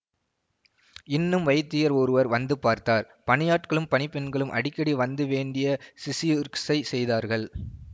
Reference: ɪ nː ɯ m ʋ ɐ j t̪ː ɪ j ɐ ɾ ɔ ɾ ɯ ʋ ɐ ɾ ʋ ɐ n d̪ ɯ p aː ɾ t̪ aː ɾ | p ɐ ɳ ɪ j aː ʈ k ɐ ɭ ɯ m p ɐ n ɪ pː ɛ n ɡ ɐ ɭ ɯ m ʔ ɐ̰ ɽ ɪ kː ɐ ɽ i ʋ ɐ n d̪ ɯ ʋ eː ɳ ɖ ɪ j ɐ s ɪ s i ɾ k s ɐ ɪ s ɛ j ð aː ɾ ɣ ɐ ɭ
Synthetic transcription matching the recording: ɪ nː ɯ m ʋ ɐ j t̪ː ɪ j ɐ ɾ ɔ ɾ ɯ ʋ ɐ ɾ ʋ ɐ n d̪ ɯ p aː ɾ t̪ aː ɾ | p ɐ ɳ ɪ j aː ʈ k ɐ ɭ ɯ m p ɐ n ɪ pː ɛ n ɡ ɐ ɭ ɯ m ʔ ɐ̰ ɽ ɪ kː ɐ ɽ i ʋ ɐ n d̪ ɯ ʋ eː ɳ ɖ ɪ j ɐ s ɪ s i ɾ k s ɐ ɪ s ɛ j ð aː ɾ ɣ ɐ ɭ